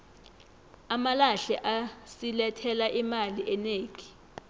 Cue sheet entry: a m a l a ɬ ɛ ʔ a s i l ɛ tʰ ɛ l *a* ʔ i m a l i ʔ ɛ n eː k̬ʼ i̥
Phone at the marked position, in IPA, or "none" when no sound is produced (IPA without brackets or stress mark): a